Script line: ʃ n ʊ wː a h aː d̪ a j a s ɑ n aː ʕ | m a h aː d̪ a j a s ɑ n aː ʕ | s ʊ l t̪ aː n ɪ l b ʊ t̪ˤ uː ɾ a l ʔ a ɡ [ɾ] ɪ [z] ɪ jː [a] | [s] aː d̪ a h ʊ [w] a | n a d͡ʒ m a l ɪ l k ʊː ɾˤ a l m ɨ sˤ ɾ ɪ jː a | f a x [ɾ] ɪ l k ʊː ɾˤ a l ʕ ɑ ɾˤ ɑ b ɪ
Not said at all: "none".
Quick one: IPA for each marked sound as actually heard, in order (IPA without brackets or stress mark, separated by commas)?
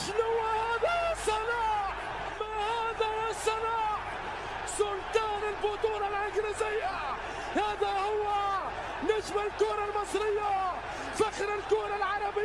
ɾ, z, a, h, wː, ɾ